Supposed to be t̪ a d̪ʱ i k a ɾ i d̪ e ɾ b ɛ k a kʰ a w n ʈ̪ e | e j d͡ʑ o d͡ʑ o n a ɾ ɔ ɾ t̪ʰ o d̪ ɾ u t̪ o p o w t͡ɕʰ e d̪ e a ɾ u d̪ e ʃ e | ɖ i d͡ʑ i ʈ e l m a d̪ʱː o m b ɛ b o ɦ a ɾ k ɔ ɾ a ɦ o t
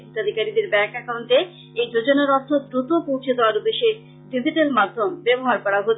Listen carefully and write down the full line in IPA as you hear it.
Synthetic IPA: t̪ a d̪ʱ i k a ɾ i d̪ e ɾ b ɛ k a k a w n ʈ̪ e | e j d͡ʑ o d͡ʑ o n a ɾ ɔ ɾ t̪ʰ o d̪ ɾ u t̪ o p o w t͡ɕʰ e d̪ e a ɾ u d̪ e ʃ e | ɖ i d͡ʑ i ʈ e l m a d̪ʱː o m b ɛ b o ɦ a ɾ k ɔ ɾ a ɦ o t

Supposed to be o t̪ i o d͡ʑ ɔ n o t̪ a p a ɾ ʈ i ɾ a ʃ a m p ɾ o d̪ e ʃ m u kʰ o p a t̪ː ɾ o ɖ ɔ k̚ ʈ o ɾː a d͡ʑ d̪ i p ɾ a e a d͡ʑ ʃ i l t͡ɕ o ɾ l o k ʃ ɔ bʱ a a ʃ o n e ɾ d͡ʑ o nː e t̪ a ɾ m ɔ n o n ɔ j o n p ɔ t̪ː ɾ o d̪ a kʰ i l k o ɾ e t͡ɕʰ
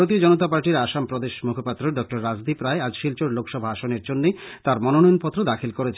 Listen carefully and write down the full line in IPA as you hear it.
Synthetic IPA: o t̪ i o d͡ʑ ɔ n o t̪ a p a ɾ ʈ i ɾ a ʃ a m p ɾ o d̪ e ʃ m u kʰ o p a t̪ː ɾ o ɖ ɔ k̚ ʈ o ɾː a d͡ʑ d̪ i p ɾ a e a d͡ʑ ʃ i l t͡ɕ o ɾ l o k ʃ ɔ bʱ a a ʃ o n e ɾ d͡ʑ o nː e t̪ a ɾ m ɔ n o n ɔ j o n p ɔ t̪ː ɾ o d̪ a kʰ i l k o ɾ e t͡ɕʰ

